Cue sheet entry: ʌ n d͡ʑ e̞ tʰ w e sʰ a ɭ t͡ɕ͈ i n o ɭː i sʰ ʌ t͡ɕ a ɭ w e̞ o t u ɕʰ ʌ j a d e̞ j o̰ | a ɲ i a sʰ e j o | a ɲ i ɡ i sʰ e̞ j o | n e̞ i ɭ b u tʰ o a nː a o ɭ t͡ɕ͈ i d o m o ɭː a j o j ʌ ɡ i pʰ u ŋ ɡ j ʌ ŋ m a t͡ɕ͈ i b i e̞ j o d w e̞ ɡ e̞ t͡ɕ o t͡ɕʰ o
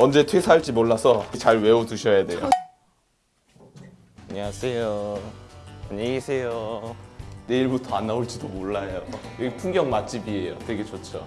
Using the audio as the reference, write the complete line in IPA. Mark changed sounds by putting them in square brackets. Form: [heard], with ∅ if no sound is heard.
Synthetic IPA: ʌ n d͡ʑ e̞ tʰ w e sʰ a ɭ t͡ɕ͈ i [m] o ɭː [a] sʰ ʌ t͡ɕ a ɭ w e̞ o t u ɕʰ ʌ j a d e̞ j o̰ | a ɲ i a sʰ e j o | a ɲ [e] ɡ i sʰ e̞ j o | n e̞ i ɭ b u tʰ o a nː a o ɭ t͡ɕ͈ i d o m o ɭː a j o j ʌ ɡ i pʰ u ŋ ɡ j ʌ ŋ m a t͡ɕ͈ i b i e̞ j o [t] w e̞ ɡ e̞ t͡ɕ o t͡ɕʰ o